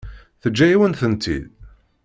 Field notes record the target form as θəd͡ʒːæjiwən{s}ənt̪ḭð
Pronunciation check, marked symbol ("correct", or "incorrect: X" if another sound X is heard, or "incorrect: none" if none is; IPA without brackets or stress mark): incorrect: θ